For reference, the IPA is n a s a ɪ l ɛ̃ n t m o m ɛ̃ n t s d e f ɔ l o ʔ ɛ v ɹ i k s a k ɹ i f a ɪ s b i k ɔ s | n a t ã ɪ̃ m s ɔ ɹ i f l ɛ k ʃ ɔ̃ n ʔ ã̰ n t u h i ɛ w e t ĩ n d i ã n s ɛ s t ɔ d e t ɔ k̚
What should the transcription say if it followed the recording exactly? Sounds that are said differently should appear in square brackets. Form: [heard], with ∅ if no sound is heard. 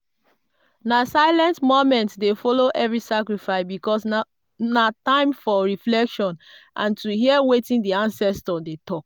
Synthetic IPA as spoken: n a s a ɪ l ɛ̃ n t m o m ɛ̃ n t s d e f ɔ l o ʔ ɛ v ɹ i [∅] s a k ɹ i f a ɪ s b i k ɔ s | n a t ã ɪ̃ m [f] ɔ ɹ i f l ɛ k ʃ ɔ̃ n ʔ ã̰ n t u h i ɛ w e t ĩ n d i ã n s ɛ s t ɔ d e t ɔ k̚